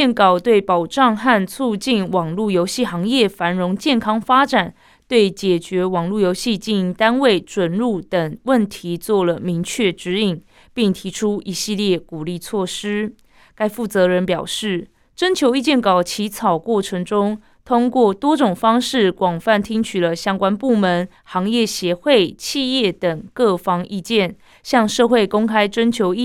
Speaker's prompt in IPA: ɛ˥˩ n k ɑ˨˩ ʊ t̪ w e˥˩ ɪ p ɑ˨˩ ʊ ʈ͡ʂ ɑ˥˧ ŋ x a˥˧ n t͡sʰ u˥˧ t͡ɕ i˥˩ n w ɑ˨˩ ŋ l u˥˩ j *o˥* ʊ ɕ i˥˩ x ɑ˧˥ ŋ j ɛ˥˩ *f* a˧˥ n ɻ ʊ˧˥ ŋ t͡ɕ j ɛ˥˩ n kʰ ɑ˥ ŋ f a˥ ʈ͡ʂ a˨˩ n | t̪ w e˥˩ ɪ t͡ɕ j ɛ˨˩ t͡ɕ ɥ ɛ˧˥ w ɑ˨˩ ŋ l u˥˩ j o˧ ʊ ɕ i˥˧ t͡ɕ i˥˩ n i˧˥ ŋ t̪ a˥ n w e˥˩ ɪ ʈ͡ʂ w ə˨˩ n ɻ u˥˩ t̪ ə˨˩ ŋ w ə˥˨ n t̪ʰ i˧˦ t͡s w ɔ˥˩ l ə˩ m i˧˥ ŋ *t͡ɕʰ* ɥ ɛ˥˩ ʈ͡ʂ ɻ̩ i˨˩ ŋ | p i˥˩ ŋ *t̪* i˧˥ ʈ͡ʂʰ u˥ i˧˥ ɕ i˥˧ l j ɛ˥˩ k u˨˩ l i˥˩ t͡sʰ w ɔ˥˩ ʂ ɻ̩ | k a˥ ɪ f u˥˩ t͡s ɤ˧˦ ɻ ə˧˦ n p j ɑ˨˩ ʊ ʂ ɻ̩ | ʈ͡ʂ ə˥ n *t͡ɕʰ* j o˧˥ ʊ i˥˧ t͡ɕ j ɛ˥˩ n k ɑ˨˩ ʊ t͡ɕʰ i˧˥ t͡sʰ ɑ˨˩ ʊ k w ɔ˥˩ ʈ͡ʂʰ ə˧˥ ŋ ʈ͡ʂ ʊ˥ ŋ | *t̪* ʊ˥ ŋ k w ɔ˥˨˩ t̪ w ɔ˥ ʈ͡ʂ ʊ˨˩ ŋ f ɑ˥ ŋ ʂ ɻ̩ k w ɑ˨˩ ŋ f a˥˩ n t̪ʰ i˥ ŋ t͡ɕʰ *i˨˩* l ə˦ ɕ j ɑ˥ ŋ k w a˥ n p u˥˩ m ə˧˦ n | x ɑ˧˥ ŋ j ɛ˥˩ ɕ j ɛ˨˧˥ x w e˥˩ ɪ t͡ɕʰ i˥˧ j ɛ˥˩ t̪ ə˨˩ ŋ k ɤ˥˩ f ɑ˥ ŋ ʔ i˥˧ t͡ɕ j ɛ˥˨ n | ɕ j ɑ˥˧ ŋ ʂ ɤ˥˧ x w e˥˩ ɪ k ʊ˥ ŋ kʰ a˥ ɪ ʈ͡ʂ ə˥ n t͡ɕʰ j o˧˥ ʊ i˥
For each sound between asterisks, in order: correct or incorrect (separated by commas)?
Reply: incorrect, correct, correct, incorrect, correct, incorrect, incorrect